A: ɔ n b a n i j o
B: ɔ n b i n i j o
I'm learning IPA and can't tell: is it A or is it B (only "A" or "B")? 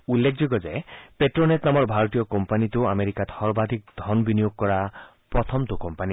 B